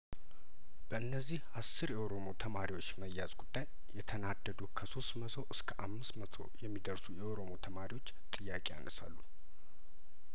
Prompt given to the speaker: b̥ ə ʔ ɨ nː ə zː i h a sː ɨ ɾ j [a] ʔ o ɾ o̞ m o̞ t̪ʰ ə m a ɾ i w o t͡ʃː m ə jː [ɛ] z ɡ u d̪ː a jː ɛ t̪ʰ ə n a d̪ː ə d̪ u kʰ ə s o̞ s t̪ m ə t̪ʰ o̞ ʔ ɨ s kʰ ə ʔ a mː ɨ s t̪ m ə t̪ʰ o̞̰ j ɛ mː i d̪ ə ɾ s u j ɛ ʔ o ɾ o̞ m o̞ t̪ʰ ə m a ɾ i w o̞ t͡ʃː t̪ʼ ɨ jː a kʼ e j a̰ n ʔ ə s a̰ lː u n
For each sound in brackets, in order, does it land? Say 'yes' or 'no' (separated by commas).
no, no